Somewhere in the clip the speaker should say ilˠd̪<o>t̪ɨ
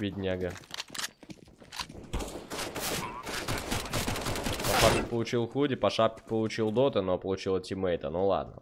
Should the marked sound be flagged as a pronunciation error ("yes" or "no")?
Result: no